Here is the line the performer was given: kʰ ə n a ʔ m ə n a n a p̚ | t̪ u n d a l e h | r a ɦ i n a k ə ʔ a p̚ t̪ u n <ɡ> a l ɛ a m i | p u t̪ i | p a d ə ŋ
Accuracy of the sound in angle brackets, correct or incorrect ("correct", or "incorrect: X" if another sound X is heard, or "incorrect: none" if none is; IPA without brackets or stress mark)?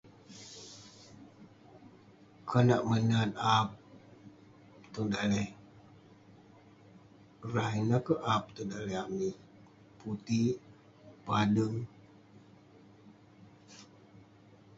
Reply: incorrect: d